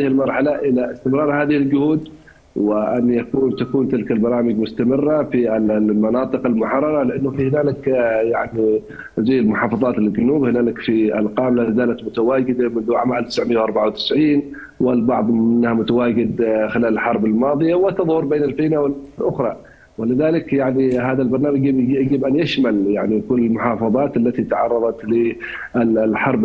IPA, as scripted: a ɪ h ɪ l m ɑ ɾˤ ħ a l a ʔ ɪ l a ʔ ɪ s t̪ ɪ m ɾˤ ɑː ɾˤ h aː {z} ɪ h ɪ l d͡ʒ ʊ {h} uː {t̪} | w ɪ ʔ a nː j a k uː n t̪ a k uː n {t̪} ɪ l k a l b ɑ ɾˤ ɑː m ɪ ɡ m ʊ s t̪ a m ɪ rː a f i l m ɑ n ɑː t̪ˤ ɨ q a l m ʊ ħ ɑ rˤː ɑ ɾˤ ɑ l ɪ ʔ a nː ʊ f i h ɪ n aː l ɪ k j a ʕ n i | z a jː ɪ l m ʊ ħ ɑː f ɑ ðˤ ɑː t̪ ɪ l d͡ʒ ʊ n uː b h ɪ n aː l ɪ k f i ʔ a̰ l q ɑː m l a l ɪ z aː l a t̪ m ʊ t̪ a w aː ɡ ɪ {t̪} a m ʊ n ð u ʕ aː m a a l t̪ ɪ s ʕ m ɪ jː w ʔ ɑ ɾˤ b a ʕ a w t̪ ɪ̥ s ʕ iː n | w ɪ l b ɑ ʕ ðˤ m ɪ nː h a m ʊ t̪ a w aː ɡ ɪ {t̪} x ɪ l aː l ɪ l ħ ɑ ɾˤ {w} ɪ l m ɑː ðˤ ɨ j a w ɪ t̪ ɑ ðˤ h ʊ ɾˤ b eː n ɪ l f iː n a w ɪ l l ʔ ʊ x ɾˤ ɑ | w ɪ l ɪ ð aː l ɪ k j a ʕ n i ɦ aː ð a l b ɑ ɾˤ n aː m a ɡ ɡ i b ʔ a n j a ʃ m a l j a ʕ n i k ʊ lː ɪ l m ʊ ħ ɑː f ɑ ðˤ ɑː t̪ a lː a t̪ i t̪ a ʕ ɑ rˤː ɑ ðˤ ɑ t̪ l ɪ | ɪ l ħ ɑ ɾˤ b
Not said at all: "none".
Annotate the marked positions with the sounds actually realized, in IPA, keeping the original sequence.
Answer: ð, h, d̪, t̪, d̪, d̪, b

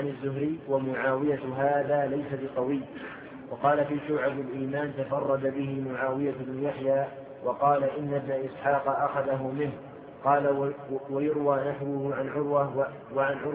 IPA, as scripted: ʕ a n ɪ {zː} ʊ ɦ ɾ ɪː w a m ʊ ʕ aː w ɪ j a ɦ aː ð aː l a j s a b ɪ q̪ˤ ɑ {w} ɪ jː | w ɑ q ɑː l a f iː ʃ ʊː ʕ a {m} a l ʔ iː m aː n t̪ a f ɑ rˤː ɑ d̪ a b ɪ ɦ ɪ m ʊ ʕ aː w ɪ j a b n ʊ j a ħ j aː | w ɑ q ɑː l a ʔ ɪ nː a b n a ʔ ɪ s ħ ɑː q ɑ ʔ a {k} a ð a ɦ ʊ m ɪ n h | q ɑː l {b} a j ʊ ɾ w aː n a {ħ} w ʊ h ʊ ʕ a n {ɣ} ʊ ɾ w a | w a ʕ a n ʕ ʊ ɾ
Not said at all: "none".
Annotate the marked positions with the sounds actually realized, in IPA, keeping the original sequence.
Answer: zː, w, b, x, w, ħ, ʕ

